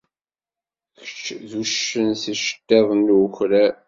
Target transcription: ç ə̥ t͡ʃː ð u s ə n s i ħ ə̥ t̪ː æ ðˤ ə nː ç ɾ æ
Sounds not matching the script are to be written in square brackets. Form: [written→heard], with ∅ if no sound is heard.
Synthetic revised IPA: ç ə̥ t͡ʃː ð u [s→ʃ] ə n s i [ħ→ʃ] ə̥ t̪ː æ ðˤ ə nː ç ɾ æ